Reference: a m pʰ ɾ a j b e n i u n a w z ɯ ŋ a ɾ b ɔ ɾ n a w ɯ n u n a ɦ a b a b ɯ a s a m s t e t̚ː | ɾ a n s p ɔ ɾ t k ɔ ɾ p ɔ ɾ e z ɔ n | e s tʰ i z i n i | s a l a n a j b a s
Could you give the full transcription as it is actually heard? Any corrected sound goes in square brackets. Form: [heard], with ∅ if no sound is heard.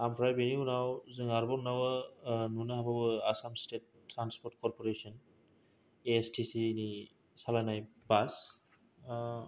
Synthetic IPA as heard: a m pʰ ɾ a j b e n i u n a w z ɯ ŋ a ɾ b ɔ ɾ n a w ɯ n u n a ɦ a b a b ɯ a s a m s t e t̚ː | ɾ a n s p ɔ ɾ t k ɔ ɾ p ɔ ɾ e [s] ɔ n | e s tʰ i [s] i n i | s a l a n a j b a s

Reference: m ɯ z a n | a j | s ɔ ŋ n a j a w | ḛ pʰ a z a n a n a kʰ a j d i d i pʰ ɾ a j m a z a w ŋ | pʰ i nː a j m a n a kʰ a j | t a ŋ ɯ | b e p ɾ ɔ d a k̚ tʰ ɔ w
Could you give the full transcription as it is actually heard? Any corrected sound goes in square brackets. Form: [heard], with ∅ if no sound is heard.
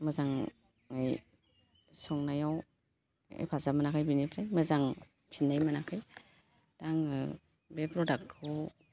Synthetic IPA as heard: m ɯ z a [ŋ] | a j | s ɔ ŋ n a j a w | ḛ pʰ a z a [m] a n a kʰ a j [b] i [n] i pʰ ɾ a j m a z a [∅] ŋ | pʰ i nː a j m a n a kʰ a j | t a ŋ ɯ | b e p ɾ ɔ d a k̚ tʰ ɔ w

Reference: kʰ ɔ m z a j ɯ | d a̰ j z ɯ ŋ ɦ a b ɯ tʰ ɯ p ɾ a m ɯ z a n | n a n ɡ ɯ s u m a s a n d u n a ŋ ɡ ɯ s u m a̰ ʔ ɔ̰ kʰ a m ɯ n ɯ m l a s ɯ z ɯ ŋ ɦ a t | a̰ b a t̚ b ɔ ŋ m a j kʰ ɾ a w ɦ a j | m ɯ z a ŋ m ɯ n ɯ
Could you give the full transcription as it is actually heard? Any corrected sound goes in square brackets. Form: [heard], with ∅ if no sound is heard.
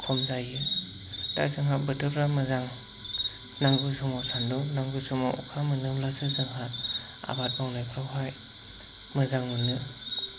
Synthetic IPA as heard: kʰ ɔ m z a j ɯ | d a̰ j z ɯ ŋ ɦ a b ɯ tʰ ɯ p ɾ a m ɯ z a [ŋ] | n a [ŋ] ɡ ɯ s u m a s a n d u n a ŋ ɡ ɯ s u m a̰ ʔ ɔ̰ kʰ a m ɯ n ɯ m l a s ɯ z ɯ ŋ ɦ a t | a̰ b a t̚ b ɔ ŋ [n] a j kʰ ɾ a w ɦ a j | m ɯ z a ŋ m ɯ n ɯ

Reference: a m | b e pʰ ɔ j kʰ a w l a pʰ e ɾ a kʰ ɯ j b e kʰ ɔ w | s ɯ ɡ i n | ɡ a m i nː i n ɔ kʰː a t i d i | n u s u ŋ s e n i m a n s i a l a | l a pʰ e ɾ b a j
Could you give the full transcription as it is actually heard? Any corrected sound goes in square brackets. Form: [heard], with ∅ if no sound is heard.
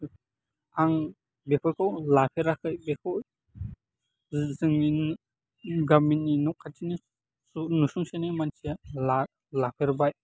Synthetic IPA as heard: a [ŋ] | b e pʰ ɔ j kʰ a w l a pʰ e ɾ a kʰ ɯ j b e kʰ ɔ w | [z] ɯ [ŋ] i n | ɡ a m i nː i n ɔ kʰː a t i [n] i | n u s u ŋ s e n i m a n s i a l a | l a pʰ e ɾ b a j

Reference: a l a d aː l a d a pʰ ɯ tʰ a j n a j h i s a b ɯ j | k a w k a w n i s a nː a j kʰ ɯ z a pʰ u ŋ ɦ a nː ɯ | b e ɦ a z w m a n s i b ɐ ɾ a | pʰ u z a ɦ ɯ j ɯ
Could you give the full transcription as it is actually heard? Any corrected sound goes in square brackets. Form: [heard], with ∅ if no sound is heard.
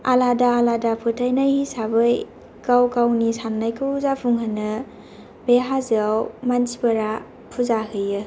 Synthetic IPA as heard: a l a d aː l a d a pʰ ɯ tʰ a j n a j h i s a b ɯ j | k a w k a w n i s a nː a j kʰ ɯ z a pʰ u ŋ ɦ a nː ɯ | b e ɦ a z w m a n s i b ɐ ɾ a | pʰ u z a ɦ ɯ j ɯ

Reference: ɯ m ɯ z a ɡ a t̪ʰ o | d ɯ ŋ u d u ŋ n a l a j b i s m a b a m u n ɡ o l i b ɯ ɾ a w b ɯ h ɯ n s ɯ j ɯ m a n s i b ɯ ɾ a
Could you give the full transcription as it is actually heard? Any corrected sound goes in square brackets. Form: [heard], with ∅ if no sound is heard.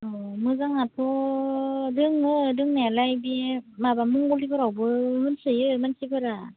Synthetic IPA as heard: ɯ m ɯ z a [ŋ] a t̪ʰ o | d ɯ ŋ [ɯ] d [ɯ] ŋ n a l a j b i [∅] m a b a m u [ŋ] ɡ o l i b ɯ ɾ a w b ɯ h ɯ n s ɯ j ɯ m a n s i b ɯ ɾ a

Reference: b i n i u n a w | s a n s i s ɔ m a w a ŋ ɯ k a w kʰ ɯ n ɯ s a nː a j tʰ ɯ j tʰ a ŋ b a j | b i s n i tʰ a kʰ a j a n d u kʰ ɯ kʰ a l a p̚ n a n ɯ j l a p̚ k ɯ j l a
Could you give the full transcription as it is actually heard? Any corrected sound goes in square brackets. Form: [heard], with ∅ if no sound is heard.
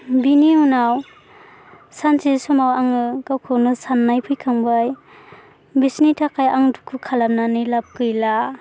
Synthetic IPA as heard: b i n i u n a w | s a n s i s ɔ m a w a ŋ ɯ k a w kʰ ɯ n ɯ s a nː a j [pʰ] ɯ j [kʰ] a ŋ b a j | b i s n i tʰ a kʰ a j a [ŋ] d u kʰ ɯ kʰ a l a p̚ n a n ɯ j l a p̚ k ɯ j l a

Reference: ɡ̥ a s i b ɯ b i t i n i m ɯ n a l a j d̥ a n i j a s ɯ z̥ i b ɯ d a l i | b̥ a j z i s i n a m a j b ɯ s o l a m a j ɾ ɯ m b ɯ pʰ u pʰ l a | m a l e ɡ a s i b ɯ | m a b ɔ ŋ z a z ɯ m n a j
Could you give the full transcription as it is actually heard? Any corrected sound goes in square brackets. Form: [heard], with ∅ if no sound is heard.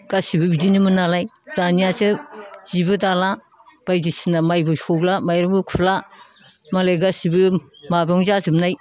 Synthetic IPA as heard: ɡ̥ a s i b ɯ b i [d] i n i m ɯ n a l a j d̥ a n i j a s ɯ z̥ i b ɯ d a l [a] | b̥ a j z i s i n a m a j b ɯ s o l a m a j ɾ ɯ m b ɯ [kʰ] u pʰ l a | m a l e ɡ a s i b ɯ | m a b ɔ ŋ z a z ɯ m n a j

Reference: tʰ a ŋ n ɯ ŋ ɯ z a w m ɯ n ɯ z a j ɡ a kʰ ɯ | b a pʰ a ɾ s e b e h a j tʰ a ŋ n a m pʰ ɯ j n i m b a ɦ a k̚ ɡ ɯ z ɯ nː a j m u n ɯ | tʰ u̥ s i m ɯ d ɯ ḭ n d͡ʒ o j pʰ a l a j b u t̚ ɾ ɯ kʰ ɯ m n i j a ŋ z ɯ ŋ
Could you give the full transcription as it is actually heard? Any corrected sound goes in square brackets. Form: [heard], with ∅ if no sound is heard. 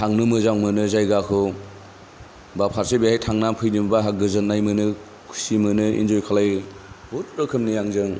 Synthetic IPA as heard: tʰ a ŋ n ɯ [m] ɯ z a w m ɯ n ɯ z a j ɡ a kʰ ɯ | b a pʰ a ɾ s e b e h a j tʰ a ŋ n a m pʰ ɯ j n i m b a ɦ a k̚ ɡ ɯ z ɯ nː a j m [ɯ] n ɯ | [kʰ] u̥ s i m ɯ [n] ɯ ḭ n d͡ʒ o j [kʰ] a l a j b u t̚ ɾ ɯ kʰ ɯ m n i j a ŋ z ɯ ŋ

